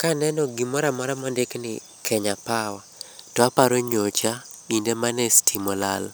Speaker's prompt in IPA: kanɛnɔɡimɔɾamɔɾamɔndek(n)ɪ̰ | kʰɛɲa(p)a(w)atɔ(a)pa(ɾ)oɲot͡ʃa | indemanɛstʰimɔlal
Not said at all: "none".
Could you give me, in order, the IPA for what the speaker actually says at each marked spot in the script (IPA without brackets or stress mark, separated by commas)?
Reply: n, p, w, a, ɾ